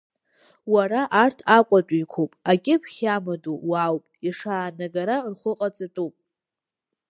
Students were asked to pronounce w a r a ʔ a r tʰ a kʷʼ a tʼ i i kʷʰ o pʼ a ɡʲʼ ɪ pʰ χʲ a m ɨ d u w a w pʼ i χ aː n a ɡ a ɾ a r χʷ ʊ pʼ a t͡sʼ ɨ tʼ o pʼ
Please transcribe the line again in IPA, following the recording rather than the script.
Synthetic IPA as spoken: w a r a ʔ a r tʰ a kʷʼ a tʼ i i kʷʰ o pʼ a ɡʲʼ ɪ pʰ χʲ a m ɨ d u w a w pʼ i ʂ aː n a ɡ a ɾ a r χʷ ʊ qʼ a t͡sʼ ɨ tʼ u pʼ

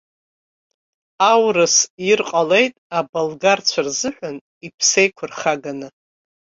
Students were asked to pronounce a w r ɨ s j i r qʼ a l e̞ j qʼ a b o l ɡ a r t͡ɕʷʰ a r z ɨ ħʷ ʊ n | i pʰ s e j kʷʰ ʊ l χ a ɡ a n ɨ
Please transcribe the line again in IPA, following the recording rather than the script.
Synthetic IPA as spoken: a w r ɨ s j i r qʼ a l e̞ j tʼ a b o l ɡ a r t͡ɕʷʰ a r z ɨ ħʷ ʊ n | i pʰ s e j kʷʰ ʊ r χ a ɡ a n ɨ

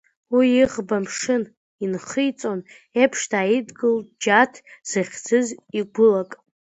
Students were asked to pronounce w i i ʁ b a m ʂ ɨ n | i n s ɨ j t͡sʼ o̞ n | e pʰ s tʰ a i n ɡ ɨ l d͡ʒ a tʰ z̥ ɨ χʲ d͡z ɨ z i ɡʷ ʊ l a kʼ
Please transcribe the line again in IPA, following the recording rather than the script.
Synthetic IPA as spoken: w i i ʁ b a m ʂ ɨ n | i n χ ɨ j t͡sʼ o̞ n | e pʰ ʂ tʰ a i d ɡ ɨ l d͡ʒ a tʰ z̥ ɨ χʲ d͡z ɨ z i ɡʷ ʊ l a kʼ

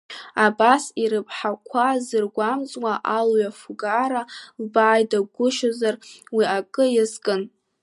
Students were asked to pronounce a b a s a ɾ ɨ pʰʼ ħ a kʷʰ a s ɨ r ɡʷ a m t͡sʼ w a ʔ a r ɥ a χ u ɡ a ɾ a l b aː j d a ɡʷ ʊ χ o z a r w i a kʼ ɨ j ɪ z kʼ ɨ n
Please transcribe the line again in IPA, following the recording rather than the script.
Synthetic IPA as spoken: a b a s i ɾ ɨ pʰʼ ħ a kʷʰ a z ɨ r ɡʷ a m t͡sʼ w a ʔ a l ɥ a f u ɡ a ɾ a l b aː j d a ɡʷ ʊ ʃ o z a r w i a kʼ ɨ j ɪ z kʼ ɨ n

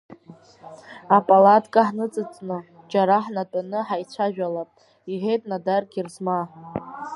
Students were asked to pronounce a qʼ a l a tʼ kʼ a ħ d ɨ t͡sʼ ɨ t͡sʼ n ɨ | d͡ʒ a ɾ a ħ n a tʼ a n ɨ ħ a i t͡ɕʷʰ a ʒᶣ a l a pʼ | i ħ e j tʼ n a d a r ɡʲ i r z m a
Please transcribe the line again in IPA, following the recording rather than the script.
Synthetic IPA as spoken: a pʼ a l a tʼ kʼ a ħ n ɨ t͡sʼ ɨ t͡sʼ n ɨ | d͡ʒ a ɾ a ħ n a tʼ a n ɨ ħ a j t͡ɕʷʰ a ʒᶣ a l a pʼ | i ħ e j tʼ n a d a r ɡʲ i r z m a

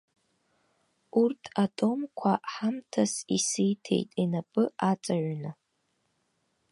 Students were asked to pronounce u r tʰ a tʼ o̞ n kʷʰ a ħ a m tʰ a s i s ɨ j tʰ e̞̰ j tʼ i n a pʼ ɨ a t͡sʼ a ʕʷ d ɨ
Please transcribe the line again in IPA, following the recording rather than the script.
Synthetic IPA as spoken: u r tʰ a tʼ o̞ m kʷʰ a ħ a m tʰ a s i s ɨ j tʰ e̞̰ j tʼ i n a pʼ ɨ a t͡sʼ a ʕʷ n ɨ

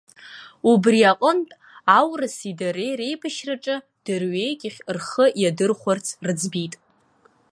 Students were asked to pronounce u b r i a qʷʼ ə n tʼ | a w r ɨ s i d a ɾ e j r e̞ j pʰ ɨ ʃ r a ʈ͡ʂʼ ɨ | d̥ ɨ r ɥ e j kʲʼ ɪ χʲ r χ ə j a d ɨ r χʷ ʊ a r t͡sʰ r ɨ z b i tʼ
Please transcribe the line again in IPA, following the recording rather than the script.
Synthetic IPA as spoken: u b r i a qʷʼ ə n tʼ | a w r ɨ s i d a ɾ e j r e̞ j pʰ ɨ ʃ r a ʈ͡ʂʼ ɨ | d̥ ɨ r ɥ e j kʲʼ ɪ χʲ r χ ə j a d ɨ r χʷ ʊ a r t͡sʰ r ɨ d͡z b i tʼ

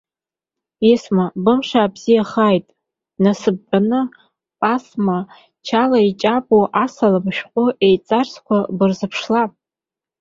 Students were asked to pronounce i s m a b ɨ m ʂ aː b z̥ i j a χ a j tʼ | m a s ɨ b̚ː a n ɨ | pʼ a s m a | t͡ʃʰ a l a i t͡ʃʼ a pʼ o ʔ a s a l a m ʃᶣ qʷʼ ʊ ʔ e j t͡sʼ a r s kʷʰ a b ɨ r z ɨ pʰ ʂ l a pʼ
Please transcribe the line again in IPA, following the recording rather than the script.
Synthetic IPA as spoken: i s m a b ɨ m ʂ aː b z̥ i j a χ a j tʼ | n a s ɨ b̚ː a n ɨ | pʼ a s m a | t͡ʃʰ a l a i t͡ʃʼ a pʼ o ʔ a s a l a m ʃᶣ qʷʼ ʊ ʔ e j t͡sʼ a r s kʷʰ a b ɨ r z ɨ pʰ ʂ l a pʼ

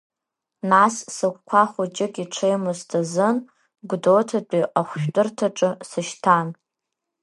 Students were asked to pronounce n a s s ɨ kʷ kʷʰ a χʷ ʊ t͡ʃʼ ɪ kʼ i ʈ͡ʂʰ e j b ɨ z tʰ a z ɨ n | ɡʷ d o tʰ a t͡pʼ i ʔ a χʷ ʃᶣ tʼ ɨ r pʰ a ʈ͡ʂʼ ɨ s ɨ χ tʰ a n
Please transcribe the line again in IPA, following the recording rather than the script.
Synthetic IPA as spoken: n a s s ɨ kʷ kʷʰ a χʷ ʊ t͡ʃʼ ɪ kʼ i ʈ͡ʂʰ e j m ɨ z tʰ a z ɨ n | ɡʷ d o tʰ a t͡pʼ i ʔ a χʷ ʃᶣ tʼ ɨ r tʰ a ʈ͡ʂʼ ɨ s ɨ ʃ tʰ a n

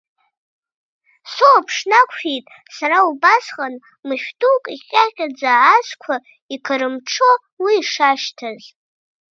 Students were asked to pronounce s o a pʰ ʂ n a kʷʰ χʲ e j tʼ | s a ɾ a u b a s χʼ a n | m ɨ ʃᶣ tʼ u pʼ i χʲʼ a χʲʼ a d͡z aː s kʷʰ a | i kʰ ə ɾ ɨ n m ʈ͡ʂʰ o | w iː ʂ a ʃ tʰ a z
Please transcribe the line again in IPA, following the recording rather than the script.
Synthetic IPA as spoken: s o a pʰ ʂ n a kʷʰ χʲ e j tʼ | s a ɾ a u b a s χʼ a n | m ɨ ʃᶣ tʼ u kʼ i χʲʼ a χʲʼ a d͡z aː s kʷʰ a | i kʰ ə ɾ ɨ m ʈ͡ʂʰ o | w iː ʂ a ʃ tʰ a z

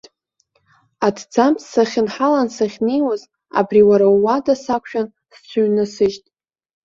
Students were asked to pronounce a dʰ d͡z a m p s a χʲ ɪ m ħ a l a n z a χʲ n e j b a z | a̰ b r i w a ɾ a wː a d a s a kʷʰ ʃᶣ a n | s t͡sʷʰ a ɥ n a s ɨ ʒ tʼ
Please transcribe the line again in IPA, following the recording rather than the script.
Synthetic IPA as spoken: a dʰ d͡z a m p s a χʲ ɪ n ħ a l a n s a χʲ n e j w a z | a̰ b r i w a ɾ a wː a d a s a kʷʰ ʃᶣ a n | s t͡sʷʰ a ɥ n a s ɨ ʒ tʼ

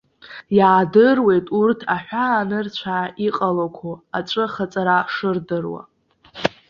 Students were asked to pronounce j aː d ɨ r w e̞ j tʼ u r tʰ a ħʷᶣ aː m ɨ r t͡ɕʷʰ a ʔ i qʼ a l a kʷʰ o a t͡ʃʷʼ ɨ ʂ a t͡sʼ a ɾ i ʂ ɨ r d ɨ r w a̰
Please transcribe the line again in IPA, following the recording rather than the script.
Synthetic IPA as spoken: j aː d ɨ r w e̞ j tʼ u r tʰ a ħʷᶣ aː n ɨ r t͡ɕʷʰ a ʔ i qʼ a l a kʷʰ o a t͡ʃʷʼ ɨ χ a t͡sʼ a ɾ a ʂ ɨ r d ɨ r w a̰

